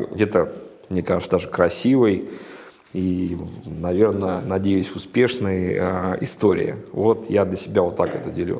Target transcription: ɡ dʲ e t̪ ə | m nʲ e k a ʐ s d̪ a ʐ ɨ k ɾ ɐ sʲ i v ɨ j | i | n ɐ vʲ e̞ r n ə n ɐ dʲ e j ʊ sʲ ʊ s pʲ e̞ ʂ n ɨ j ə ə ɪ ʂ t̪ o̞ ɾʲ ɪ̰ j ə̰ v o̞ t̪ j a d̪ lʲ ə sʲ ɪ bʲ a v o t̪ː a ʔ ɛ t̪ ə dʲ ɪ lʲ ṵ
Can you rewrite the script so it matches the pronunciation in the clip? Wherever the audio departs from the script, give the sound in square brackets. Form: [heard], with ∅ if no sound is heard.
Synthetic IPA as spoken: ɡ dʲ e t̪ ə | m nʲ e k a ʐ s d̪ a ʐ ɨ k ɾ ɐ sʲ i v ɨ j | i | n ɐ vʲ e̞ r n ə n ɐ dʲ e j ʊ sʲ ʊ s pʲ e̞ ʂ n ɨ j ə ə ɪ [s] t̪ o̞ ɾʲ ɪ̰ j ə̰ v o̞ t̪ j a d̪ lʲ ə sʲ ɪ bʲ a v o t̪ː a [k] ɛ t̪ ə dʲ ɪ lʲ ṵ